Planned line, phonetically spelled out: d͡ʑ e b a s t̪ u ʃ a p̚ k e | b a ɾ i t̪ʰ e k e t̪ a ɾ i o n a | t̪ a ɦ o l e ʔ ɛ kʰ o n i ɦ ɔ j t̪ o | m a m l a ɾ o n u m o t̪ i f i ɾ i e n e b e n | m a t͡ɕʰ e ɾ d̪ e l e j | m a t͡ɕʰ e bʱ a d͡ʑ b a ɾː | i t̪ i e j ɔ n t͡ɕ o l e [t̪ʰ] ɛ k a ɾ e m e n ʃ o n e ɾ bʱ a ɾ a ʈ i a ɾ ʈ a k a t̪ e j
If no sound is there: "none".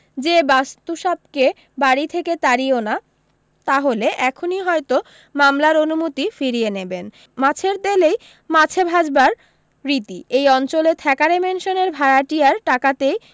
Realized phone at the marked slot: t̪ʰ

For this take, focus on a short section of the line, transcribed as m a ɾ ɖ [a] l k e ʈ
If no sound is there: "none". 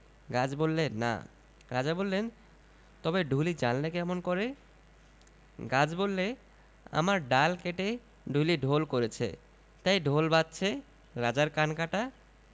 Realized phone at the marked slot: a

